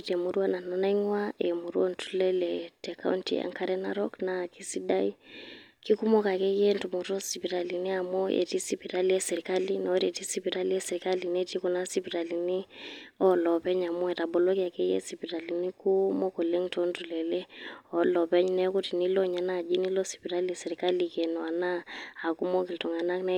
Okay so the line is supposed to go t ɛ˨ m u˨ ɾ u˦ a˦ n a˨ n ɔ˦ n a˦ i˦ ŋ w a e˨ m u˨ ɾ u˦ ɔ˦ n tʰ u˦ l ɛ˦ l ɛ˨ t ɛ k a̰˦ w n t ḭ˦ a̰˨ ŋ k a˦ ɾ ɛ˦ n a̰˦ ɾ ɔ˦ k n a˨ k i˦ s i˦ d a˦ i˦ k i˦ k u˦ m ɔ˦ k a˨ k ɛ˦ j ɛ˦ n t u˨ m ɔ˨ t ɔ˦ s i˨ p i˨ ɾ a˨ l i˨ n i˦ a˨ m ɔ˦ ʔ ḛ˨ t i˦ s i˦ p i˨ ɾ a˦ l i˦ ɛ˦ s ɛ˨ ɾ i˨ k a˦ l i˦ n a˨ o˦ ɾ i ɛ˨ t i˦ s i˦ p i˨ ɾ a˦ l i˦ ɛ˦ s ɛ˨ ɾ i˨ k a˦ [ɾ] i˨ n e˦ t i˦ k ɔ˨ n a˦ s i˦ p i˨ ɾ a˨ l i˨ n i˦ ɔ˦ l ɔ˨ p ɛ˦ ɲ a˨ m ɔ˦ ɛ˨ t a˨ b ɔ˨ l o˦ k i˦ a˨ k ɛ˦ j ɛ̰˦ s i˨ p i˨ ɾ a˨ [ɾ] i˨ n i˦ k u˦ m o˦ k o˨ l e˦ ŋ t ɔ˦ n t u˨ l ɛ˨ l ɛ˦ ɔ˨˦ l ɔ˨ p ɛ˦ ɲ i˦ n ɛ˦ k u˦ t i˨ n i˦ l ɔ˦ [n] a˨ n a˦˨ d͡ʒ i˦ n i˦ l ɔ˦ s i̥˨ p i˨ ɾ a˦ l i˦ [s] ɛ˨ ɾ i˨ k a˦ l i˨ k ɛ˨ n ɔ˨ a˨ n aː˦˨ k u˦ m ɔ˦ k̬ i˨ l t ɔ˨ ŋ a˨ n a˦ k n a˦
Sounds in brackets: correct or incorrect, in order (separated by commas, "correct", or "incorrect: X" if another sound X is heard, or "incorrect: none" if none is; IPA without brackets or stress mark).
incorrect: l, incorrect: l, incorrect: ɲ, correct